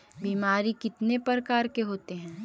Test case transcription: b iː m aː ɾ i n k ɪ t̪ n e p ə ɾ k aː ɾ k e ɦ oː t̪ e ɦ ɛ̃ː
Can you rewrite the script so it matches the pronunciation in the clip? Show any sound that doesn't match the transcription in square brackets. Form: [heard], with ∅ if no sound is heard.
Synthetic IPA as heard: b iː m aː ɾ i [∅] k ɪ t̪ n e p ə ɾ k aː ɾ k e ɦ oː t̪ e ɦ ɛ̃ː